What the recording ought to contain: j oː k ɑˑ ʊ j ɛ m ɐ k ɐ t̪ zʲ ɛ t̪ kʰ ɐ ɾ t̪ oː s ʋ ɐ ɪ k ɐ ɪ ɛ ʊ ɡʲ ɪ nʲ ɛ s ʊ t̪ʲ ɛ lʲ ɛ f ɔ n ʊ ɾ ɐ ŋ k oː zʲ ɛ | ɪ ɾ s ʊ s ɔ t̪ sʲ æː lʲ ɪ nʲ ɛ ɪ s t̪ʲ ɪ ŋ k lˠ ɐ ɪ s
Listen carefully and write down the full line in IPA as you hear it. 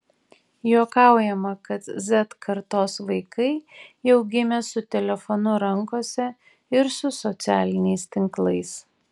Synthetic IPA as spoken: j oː k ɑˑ ʊ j ɛ m ɐ k ɐ t̪ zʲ ɛ t̪ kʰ ɐ ɾ t̪ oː s ʋ ɐ ɪ k ɐ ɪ ɛ ʊ ɡʲ ɪ mʲ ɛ s ʊ t̪ʲ ɛ lʲ ɛ f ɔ n ʊ ɾ ɐ ŋ k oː sʲ ɛ | ɪ ɾ s ʊ s ɔ t̪ sʲ æː lʲ ɪ nʲ ɛ ɪ s t̪ʲ ɪ ŋ k lˠ ɐ ɪ s

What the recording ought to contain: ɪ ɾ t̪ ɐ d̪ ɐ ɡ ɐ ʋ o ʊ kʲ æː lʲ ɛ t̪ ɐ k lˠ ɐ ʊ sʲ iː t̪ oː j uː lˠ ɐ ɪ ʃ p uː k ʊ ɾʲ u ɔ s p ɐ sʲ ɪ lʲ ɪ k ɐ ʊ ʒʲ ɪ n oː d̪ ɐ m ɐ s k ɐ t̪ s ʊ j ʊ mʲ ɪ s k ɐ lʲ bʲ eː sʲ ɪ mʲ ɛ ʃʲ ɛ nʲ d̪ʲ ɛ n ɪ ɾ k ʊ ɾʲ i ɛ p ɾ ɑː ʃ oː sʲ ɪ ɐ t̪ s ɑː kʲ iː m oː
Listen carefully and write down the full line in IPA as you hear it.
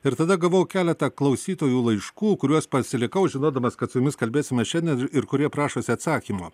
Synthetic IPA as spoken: ɪ ɾ t̪ ɐ d̪ ɐ ɡ ɐ ʋ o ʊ kʲ æː lʲ ɛ t̪ ɐ k lˠ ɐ ʊ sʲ iː t̪ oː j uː lˠ ɐ ɪ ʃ k uː k ʊ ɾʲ u ɔ s p ɐ sʲ ɪ lʲ ɪ k ɐ ʊ ʒʲ ɪ n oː d̪ ɐ m ɐ s k ɐ t̪ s ʊ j ʊ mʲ ɪ s k ɐ lʲ bʲ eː sʲ ɪ mʲ ɛ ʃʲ ɛ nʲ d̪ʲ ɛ n ɪ ɾ k ʊ ɾʲ i ɛ p ɾ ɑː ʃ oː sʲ ɪ ɐ t̪ s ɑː kʲ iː m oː

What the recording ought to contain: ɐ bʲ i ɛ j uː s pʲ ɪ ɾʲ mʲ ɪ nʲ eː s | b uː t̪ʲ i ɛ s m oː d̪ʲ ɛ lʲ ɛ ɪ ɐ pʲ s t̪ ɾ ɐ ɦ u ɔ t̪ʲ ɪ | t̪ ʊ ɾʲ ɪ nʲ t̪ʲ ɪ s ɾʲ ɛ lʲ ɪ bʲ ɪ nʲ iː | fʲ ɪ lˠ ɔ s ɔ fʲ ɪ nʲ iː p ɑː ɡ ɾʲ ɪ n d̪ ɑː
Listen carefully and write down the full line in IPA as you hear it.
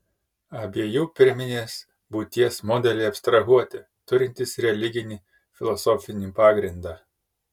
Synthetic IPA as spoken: ɐ bʲ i ɛ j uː pʲ ɪ ɾʲ mʲ ɪ nʲ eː s | b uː t̪ʲ i ɛ s m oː d̪ʲ ɛ lʲ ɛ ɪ ɐ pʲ s t̪ ɾ ɐ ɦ u ɔ t̪ʲ ɪ | t̪ ʊ ɾʲ ɪ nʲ t̪ʲ ɪ s ɾʲ ɛ lʲ ɪ ɡʲ ɪ nʲ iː | fʲ ɪ lˠ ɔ s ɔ fʲ ɪ nʲ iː p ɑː ɡ ɾʲ ɪ n d̪ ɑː

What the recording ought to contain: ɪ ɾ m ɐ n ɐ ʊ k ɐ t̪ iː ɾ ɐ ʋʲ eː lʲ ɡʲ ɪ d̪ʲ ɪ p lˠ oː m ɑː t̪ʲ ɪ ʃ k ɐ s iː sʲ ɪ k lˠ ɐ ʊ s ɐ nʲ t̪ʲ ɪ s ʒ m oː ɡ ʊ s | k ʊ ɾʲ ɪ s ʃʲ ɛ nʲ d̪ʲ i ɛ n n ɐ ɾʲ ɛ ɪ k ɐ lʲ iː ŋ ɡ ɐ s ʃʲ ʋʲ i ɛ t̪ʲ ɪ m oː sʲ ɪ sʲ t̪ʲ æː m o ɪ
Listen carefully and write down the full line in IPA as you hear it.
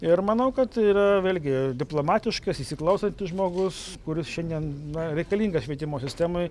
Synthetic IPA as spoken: ɪ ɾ m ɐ n ɐ ʊ k ɐ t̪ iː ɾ ɐ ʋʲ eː lʲ ɡʲ ɪ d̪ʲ ɪ p lˠ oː m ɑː t̪ʲ ɪ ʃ k ɐ s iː sʲ ɪ k lˠ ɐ ʊ s ɐ nʲ t̪ʲ ɪ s ʒ m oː ɡ ʊ s | k ʊ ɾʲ ɪ s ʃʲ ɛ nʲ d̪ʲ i ɛ n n ɐ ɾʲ ɛ ɪ k ɐ lʲ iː ŋ ɡ ɐ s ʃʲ ʋʲ i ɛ t̪ʲ ɪ m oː sʲ ɪ sʲ t̪ʲ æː m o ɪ

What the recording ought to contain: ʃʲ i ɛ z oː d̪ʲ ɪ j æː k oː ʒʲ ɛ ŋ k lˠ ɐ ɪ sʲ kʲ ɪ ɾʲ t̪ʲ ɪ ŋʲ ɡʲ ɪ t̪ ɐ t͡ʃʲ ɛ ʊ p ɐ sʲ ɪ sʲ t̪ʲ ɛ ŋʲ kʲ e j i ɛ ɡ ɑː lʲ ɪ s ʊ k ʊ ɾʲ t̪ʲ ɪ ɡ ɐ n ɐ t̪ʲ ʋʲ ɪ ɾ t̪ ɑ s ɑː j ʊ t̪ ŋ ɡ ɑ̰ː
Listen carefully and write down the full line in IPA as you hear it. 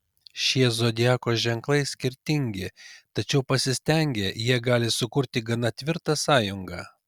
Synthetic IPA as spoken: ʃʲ i ɛ z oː d̪ʲ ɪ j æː k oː ʒʲ ɛ ŋ k lˠ ɐ ɪ sʲ kʲ ɪ ɾʲ t̪ʲ ɪ ŋʲ ɡʲ ɪ t̪ ɐ t͡ʃʲ ɛ ʊ p ɐ sʲ ɪ sʲ t̪ʲ ɛ ŋʲ ɡʲ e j i ɛ ɡ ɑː lʲ ɪ s ʊ k ʊ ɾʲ t̪ʲ ɪ ɡ ɐ n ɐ t̪ʲ ʋʲ ɪ ɾ t̪ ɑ s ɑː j ʊ ŋ ɡ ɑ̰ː

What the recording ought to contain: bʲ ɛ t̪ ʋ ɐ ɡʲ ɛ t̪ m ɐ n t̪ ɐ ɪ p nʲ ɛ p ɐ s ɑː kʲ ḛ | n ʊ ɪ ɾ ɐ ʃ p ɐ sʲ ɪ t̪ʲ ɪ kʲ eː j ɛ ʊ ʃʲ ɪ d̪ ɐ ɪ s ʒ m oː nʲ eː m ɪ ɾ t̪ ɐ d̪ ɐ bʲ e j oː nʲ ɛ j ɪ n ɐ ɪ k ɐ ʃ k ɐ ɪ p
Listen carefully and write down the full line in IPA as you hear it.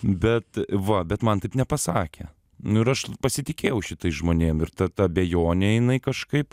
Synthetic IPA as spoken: bʲ ɛ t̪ ʋ ɐ bʲ ɛ t̪ m ɐ n t̪ ɐ ɪ p nʲ ɛ p ɐ s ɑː kʲ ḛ | n ʊ ɪ ɾ ɐ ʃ p ɐ sʲ ɪ t̪ʲ ɪ kʲ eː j ɛ ʊ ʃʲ ɪ t̪ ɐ ɪ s ʒ m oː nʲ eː m ɪ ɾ t̪ ɐ t̪ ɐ bʲ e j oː nʲ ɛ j ɪ n ɐ ɪ k ɐ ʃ k ɐ ɪ p

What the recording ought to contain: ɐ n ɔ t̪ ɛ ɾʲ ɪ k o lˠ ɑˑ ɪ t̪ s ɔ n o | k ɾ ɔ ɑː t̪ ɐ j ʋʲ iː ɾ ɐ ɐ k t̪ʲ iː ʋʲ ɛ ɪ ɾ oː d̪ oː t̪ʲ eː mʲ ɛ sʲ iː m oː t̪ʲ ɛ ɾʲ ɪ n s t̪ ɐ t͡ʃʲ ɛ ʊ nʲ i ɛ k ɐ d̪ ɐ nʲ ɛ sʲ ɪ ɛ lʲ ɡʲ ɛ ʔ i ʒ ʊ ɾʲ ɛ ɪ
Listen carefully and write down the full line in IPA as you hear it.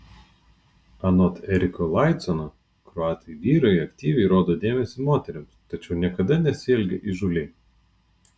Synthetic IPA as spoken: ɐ n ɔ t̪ ɛ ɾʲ ɪ k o lˠ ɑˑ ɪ t̪ s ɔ n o | k ɾ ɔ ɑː t̪ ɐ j ʋʲ iː ɾ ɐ ɐ k t̪ʲ iː ʋʲ ɛ ɪ ɾ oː d̪ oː d̪ʲ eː mʲ ɛ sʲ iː m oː t̪ʲ ɛ ɾʲ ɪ m s t̪ ɐ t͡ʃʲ ɛ ʊ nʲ i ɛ k ɐ d̪ ɐ nʲ ɛ sʲ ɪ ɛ lʲ ɡʲ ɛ ʔ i ʒ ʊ lʲ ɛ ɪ

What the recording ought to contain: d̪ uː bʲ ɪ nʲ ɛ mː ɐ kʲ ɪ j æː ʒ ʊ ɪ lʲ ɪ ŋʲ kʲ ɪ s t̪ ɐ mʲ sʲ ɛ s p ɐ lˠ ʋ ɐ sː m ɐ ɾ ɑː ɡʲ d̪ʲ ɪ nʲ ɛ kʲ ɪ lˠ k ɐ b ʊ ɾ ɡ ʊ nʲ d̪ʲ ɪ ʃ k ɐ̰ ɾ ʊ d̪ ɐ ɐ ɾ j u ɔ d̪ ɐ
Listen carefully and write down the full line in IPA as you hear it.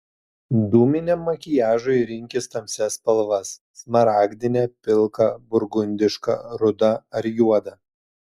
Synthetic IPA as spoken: d̪ uː mʲ ɪ nʲ ɛ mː ɐ kʲ ɪ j æː ʒ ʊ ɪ ɾʲ ɪ ŋʲ kʲ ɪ s t̪ ɐ mʲ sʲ ɛ s p ɐ lˠ ʋ ɐ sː m ɐ ɾ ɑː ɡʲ d̪ʲ ɪ nʲ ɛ pʲ ɪ lˠ k ɐ b ʊ ɾ ɡ ʊ nʲ d̪ʲ ɪ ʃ k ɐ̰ ɾ ʊ d̪ ɐ ɐ ɾ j u ɔ d̪ ɐ

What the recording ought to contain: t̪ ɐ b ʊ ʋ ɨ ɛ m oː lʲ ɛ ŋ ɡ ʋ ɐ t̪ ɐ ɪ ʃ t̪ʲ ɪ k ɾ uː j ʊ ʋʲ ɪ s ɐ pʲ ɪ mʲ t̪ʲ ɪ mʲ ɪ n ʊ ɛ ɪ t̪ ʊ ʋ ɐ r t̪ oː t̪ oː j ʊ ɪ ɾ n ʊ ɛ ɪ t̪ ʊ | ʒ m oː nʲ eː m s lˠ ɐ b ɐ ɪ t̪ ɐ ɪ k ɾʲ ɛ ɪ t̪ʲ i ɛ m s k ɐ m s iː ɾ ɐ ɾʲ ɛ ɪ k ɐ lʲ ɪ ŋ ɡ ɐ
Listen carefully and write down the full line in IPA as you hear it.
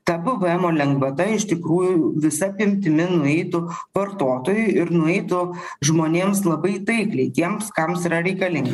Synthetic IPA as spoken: t̪ ɐ b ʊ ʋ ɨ ɛ m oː lʲ ɛ ŋ ɡ ʋ ɐ t̪ ɐ ɪ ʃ t̪ʲ ɪ k ɾ uː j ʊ ʋʲ ɪ s ɐ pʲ ɪ mʲ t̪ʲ ɪ mʲ ɪ n ʊ ɛ ɪ t̪ ʊ ʋ ɐ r t̪ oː t̪ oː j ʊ ɪ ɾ n ʊ ɛ ɪ t̪ ʊ | ʒ m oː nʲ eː m s lˠ ɐ b ɐ ɪ t̪ ɐ ɪ k lʲ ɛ ɪ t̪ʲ i ɛ m s k ɐ m s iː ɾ ɐ ɾʲ ɛ ɪ k ɐ lʲ ɪ ŋ ɡ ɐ

